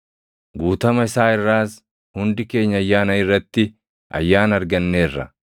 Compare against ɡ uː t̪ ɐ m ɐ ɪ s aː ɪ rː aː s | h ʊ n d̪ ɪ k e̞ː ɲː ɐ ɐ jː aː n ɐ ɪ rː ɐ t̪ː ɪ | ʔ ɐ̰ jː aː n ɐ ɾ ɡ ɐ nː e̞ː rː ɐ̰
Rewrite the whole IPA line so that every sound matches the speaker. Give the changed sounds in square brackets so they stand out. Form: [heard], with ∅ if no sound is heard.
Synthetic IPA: ɡ uː t̪ ɐ m ɐ ɪ s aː ɪ rː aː s | h ʊ n d̪ ɪ k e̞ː ɲː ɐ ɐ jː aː n ɐ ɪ rː ɐ t̪ː ɪ | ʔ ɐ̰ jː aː n ɐ ɾ ɡ ɐ nː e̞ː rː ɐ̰